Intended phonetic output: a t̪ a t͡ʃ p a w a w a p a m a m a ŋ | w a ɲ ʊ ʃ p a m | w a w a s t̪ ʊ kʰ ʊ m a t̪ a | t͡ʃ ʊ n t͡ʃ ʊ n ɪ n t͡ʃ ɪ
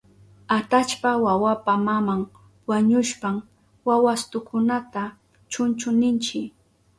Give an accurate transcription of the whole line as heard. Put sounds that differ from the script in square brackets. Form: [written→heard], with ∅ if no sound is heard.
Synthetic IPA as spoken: a t̪ a t͡ʃ p a w a w a p a m a m a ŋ | w a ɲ ʊ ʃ p a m | w a w a s t̪ ʊ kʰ ʊ [m→n] a t̪ a | t͡ʃ ʊ n t͡ʃ ʊ n ɪ n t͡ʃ ɪ

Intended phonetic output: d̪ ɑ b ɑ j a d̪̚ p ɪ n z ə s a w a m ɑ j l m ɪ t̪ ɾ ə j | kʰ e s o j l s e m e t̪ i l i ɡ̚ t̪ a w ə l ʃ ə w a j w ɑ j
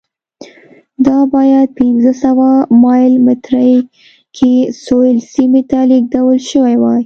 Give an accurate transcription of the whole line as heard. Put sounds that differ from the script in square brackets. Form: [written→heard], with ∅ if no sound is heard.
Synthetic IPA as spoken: d̪ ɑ b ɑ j a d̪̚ p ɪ n z ə s a w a m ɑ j l m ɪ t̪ ɾ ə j | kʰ e s o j l s [e→i] m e t̪ [i→a] l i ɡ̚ [t̪→d̪] a w ə l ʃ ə w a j w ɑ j

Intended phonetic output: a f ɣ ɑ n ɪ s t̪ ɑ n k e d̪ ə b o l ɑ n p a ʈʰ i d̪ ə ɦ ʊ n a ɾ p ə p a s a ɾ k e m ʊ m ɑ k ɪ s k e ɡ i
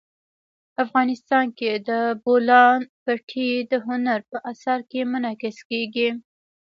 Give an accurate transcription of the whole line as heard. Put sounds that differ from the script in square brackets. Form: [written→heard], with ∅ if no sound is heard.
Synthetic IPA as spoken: a f ɣ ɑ n ɪ s t̪ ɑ n k e d̪ ə b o l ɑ n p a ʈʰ i d̪ ə ɦ ʊ n a ɾ p ə [p→ʔ] a s a ɾ k e m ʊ [m→n] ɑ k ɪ s k e ɡ i

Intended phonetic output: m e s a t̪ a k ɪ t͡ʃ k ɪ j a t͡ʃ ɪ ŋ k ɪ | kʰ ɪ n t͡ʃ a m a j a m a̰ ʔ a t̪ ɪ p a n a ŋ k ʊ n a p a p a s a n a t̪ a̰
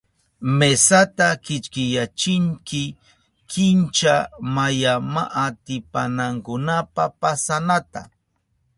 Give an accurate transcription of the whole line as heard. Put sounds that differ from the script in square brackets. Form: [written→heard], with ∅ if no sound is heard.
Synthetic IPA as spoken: m e s a t̪ a k ɪ t͡ʃ k ɪ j a t͡ʃ ɪ ŋ k ɪ | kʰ ɪ n t͡ʃ a m a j a m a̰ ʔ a t̪ ɪ p a n a ŋ k ʊ n a p a p a s a n a t̪ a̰

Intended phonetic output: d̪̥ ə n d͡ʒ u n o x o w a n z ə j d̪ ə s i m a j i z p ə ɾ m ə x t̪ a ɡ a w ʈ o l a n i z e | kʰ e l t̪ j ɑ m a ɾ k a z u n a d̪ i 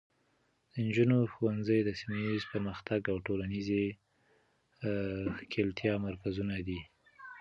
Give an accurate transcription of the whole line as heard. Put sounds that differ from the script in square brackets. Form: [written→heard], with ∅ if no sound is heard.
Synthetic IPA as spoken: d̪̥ ə n d͡ʒ u n o x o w a n z ə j d̪ ə s i m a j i z p ə ɾ m ə x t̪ a ɡ a w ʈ o l a n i z e | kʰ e l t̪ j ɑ m a ɾ k a z u n a d̪ i

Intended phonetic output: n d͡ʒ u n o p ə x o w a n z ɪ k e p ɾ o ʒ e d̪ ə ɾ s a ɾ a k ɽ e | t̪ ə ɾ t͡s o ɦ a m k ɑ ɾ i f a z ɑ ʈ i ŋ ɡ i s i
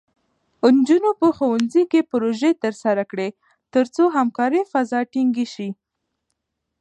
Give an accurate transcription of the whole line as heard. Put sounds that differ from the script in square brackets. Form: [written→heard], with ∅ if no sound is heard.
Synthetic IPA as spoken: n d͡ʒ u n o p ə x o w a n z [ɪ→i] k e p ɾ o ʒ e [d̪→t̪] ə ɾ s a ɾ a k ɽ e | t̪ ə ɾ t͡s o ɦ a m k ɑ ɾ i f a z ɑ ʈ i ŋ ɡ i [s→ʃ] i

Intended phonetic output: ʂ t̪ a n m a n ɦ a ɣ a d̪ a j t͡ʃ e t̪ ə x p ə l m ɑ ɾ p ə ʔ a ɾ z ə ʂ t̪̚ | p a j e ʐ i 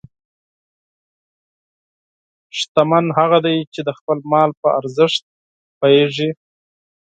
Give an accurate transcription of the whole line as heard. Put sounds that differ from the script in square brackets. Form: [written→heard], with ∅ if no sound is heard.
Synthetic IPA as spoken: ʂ t̪ a [n→∅] m a n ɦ a ɣ a d̪ a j t͡ʃ e [t̪→d̪] ə x p ə l m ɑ [ɾ→l] p ə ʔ a ɾ z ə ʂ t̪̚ | p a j e ʐ i

